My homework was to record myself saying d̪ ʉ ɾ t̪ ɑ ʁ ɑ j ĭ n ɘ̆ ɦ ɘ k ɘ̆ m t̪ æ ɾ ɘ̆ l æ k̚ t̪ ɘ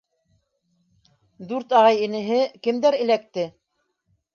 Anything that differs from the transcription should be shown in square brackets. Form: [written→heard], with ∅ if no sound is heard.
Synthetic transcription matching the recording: d̪ ʉ ɾ t̪ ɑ ʁ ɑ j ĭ n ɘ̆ ɦ ɘ k ɘ̆ m [t̪→d̪] æ ɾ ɘ̆ l æ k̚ t̪ ɘ